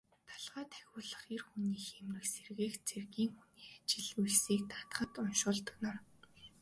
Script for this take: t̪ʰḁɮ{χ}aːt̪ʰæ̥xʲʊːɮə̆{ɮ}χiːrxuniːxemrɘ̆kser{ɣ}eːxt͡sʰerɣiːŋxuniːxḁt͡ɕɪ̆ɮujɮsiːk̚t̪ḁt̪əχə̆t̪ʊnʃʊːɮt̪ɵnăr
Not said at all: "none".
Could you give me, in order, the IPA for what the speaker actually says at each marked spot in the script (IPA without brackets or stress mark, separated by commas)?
ʁ, none, ɣ